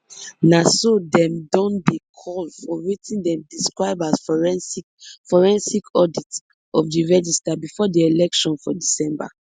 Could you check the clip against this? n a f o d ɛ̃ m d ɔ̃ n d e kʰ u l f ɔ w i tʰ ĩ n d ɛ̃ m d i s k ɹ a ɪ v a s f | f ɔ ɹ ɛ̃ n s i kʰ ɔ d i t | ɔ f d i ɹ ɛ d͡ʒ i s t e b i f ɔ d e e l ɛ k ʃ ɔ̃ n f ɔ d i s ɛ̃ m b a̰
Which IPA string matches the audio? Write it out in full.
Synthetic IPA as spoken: n a s o d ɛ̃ m d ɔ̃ n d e kʰ ɔ l f ɔ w i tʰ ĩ n d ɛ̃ m d i s k ɹ a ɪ b a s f | f ɔ ɹ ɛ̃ n s i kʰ ɔ d i t | ɔ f d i ɹ ɛ d͡ʒ i s t a b i f ɔ d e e l ɛ k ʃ ɔ̃ n f ɔ d i s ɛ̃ m b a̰